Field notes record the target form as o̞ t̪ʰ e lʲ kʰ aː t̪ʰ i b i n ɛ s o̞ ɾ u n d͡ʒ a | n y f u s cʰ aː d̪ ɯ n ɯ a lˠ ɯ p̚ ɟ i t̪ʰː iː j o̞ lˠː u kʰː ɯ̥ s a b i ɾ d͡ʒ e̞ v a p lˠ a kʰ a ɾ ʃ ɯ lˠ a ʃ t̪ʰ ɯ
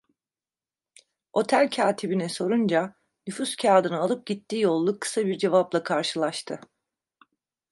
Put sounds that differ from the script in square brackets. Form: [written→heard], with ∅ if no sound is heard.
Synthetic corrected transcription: o̞ t̪ʰ [e→æ] lʲ [kʰ→cʰ] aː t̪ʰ i b i n ɛ s o̞ ɾ u n d͡ʒ a | n y f u s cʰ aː d̪ ɯ n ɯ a lˠ ɯ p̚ ɟ i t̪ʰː iː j o̞ lˠː u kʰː ɯ̥ s a b i ɾ d͡ʒ e̞ v a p lˠ a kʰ a ɾ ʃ ɯ lˠ a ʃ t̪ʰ ɯ